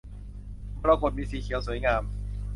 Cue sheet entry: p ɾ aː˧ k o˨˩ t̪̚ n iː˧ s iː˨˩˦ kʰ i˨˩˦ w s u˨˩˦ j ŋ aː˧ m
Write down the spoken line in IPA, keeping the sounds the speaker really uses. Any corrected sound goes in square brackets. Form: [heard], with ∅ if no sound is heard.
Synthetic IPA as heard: p ɾ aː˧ k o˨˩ t̪̚ [m] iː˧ s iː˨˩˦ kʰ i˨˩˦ w s u˨˩˦ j ŋ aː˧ m